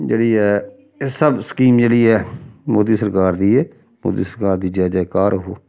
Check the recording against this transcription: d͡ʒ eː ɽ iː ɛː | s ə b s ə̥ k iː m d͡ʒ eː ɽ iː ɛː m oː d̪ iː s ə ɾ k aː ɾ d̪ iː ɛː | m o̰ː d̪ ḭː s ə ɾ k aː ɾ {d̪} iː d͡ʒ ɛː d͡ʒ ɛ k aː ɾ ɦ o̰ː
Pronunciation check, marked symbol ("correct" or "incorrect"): correct